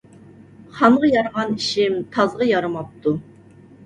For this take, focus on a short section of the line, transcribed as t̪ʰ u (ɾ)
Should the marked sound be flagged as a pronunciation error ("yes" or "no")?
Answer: yes